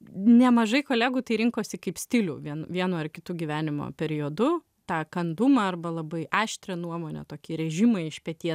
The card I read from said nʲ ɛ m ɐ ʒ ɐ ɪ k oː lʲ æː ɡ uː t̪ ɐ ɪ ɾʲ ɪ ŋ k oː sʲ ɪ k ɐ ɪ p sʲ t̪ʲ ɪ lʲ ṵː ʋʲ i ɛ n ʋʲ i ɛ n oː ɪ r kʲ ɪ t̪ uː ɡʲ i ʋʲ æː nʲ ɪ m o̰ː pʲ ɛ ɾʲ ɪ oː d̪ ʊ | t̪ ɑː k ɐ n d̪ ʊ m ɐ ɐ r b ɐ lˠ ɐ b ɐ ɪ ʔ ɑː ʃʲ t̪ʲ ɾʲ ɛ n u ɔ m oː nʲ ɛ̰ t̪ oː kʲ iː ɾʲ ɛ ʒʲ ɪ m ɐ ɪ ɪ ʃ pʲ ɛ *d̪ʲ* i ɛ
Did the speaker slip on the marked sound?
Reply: yes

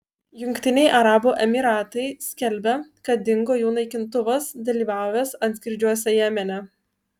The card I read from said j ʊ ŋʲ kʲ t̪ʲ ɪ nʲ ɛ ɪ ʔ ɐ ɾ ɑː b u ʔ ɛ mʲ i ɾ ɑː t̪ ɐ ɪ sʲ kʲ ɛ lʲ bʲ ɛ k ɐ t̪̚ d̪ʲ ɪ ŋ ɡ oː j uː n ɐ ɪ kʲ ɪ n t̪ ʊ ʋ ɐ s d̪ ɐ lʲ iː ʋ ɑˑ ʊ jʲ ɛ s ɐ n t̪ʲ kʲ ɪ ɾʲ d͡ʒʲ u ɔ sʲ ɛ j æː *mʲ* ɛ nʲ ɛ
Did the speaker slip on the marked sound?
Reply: no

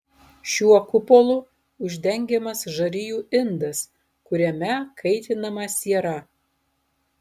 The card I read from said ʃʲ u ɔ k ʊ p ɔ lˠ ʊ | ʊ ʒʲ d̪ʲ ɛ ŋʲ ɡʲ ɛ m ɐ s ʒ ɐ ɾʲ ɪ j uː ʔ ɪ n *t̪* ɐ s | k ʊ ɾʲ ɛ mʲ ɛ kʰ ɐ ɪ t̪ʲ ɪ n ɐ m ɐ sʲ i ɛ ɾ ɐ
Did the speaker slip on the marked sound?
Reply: yes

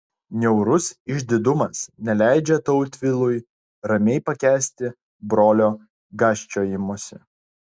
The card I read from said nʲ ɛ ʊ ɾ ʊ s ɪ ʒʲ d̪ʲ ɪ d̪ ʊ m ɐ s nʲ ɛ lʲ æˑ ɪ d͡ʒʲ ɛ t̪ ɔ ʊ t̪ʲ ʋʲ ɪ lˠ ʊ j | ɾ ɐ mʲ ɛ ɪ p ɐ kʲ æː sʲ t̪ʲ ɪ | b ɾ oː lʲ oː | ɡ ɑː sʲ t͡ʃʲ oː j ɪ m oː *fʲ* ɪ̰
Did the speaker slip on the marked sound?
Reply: yes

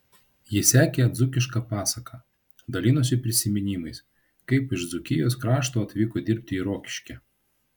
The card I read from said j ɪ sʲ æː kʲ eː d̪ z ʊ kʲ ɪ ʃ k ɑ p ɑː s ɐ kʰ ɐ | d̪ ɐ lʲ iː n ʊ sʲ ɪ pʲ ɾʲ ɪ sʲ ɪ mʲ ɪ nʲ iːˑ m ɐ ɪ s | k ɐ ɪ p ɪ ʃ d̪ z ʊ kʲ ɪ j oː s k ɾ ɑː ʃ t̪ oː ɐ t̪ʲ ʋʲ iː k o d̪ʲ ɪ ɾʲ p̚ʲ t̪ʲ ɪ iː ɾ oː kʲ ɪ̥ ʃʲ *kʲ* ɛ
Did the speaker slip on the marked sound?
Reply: no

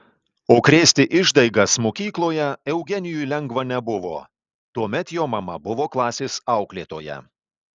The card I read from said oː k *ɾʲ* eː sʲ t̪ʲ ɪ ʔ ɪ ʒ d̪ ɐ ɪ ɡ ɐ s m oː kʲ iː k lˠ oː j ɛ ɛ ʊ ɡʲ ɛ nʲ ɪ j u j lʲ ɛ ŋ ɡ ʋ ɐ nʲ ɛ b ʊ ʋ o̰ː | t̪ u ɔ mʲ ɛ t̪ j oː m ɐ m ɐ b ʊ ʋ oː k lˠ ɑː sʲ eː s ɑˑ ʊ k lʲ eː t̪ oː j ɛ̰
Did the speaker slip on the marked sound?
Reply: no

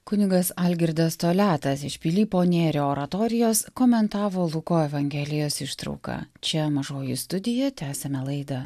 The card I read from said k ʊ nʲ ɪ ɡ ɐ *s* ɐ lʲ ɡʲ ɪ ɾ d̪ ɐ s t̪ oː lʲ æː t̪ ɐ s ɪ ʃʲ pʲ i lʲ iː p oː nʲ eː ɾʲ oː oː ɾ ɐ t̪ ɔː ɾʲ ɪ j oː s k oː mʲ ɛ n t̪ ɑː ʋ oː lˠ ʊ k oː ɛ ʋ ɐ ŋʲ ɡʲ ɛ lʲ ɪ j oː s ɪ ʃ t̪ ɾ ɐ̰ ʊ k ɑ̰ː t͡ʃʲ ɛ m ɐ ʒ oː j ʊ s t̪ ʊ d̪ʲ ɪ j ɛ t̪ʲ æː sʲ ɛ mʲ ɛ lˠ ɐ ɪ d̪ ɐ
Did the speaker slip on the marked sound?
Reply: no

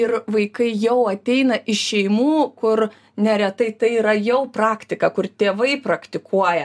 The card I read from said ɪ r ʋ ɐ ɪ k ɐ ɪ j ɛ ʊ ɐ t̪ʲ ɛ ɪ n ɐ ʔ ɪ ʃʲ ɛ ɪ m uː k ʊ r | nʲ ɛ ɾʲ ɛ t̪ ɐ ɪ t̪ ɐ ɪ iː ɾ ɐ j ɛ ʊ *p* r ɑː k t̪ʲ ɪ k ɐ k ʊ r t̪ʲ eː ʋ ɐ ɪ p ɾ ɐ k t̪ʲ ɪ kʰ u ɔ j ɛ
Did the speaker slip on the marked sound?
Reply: no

